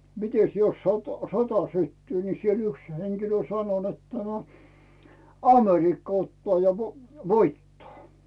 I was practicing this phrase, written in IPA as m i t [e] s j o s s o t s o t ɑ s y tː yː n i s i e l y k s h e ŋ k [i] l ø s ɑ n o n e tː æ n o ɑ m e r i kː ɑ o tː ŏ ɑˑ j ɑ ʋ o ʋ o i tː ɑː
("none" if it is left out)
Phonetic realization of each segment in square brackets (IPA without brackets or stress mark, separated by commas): e, i